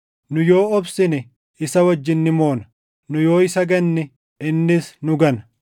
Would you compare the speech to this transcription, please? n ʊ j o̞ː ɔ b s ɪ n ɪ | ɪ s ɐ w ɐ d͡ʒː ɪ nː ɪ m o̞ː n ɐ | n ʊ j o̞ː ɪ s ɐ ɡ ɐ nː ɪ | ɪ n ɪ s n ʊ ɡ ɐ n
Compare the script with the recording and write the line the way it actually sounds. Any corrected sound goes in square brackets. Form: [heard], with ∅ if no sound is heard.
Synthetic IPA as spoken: n ʊ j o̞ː ɔ b s ɪ n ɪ | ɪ s ɐ w ɐ d͡ʒː ɪ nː ɪ m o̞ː n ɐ | n ʊ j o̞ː ɪ s ɐ ɡ ɐ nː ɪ | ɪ [nː] ɪ s n ʊ ɡ ɐ n